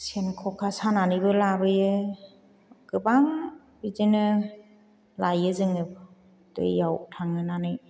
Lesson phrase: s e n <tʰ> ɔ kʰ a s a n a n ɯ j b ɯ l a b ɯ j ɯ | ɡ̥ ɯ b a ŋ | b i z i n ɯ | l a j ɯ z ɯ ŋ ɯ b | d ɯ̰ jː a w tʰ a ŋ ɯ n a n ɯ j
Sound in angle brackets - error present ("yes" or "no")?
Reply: yes